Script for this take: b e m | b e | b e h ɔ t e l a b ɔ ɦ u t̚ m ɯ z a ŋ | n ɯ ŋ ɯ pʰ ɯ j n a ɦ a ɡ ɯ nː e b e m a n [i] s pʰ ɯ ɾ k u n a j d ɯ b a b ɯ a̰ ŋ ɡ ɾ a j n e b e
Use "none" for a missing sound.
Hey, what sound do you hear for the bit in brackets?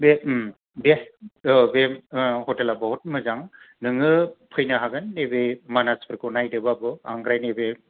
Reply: a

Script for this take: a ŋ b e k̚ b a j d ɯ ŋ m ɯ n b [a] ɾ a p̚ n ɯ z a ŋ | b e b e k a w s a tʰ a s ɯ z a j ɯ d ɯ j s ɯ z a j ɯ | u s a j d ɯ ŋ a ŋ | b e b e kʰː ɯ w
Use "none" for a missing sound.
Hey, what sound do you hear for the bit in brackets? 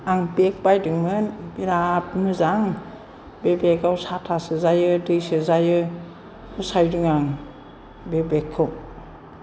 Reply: i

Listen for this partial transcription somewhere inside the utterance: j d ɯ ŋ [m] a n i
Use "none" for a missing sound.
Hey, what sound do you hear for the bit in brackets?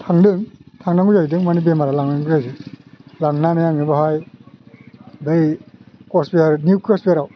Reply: m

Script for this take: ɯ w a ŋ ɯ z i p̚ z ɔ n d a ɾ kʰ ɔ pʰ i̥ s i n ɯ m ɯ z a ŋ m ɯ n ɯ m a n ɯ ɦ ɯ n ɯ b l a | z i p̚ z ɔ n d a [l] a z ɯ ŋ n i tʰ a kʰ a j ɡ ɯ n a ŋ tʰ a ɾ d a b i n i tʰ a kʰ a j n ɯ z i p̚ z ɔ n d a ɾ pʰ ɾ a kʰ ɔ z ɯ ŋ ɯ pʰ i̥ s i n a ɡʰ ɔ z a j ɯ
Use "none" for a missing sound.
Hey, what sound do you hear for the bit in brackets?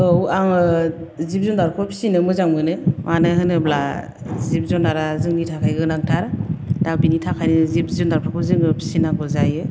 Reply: ɾ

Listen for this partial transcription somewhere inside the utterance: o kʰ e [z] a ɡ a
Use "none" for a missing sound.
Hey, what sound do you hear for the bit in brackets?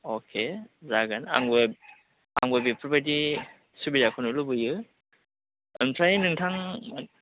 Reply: z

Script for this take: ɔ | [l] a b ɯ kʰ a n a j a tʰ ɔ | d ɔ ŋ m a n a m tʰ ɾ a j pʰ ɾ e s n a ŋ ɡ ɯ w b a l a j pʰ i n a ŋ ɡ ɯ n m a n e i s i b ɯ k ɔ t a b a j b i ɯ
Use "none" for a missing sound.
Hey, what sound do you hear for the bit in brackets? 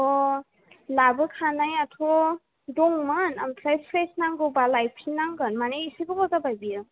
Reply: l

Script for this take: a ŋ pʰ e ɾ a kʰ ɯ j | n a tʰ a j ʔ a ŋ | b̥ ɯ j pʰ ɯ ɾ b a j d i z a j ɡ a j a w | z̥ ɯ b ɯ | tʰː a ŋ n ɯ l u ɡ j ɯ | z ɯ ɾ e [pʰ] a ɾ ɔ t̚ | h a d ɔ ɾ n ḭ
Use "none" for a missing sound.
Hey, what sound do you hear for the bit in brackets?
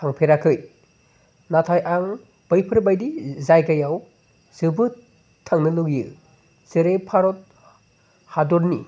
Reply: pʰ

